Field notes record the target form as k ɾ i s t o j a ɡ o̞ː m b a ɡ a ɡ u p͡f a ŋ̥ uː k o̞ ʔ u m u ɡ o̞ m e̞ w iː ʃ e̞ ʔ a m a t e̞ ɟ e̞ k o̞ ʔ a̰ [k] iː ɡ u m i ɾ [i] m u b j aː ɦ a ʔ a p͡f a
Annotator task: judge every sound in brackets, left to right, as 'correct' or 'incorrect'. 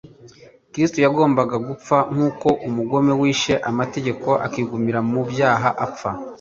correct, incorrect: a

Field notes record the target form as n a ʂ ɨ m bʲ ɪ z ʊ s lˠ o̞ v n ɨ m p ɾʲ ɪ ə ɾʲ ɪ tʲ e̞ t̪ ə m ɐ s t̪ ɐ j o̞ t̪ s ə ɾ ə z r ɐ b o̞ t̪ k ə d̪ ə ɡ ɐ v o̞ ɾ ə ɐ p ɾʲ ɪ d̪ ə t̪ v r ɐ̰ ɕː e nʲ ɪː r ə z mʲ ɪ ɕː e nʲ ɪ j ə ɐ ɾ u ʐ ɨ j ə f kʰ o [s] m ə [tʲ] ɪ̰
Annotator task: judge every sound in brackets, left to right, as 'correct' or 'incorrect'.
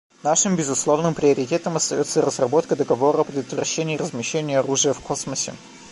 correct, incorrect: sʲ

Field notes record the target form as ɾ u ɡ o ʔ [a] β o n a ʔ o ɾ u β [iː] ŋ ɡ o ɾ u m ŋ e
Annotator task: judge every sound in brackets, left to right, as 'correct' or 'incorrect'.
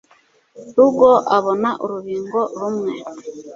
correct, correct

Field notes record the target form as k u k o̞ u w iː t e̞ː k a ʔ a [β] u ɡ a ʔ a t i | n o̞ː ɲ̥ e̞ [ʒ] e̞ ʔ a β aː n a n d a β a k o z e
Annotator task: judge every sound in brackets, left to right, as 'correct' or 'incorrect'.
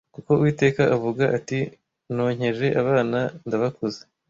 incorrect: v, correct

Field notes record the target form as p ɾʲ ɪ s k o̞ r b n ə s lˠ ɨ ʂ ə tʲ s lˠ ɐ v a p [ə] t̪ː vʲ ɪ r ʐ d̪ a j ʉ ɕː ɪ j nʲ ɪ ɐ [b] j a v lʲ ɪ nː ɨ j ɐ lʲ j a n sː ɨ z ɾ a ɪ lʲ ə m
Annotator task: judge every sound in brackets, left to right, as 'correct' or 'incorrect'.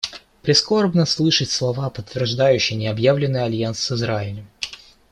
correct, correct

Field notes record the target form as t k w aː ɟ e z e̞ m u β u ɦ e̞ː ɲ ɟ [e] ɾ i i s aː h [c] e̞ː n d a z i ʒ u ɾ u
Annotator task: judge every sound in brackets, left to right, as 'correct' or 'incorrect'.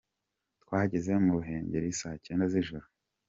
correct, correct

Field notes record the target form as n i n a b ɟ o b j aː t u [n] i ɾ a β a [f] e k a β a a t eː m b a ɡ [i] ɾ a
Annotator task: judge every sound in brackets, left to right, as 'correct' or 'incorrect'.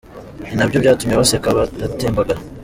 incorrect: m, incorrect: s, incorrect: a

